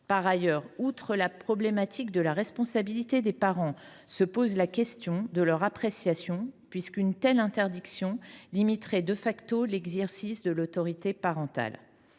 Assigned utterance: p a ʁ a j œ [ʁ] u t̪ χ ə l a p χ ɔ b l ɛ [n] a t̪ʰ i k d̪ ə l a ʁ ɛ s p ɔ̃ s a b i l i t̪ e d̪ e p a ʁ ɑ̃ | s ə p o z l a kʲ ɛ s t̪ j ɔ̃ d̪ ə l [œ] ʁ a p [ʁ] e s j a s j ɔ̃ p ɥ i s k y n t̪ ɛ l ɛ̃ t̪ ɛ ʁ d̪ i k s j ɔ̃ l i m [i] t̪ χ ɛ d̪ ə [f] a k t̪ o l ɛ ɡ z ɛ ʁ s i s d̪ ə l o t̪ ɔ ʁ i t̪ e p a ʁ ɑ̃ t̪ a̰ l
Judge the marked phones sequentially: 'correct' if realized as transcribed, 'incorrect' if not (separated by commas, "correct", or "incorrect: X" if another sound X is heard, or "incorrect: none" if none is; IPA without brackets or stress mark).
correct, incorrect: m, correct, incorrect: χ, correct, correct